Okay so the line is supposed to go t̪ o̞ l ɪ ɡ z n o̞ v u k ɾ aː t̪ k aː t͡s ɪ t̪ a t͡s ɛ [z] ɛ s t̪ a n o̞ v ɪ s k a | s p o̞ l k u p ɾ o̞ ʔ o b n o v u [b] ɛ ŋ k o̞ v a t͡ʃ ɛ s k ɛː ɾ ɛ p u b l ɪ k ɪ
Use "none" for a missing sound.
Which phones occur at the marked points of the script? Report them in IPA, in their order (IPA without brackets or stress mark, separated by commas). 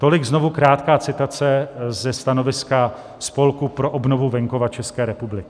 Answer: z, v